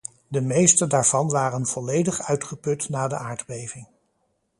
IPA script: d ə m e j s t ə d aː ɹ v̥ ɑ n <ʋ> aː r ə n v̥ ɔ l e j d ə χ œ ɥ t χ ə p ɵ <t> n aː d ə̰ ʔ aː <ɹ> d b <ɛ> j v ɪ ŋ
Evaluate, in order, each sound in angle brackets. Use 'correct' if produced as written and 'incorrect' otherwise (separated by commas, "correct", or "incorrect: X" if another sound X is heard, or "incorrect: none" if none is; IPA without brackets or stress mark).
correct, correct, correct, incorrect: e